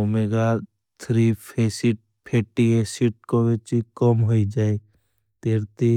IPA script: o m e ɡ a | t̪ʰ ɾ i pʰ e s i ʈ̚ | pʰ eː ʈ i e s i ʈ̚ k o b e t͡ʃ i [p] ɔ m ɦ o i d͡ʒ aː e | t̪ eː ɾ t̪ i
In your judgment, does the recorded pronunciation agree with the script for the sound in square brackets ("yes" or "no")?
no